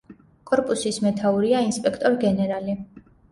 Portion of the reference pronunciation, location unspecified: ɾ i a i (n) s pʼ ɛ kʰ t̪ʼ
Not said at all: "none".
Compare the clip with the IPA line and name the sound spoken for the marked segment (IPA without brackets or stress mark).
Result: n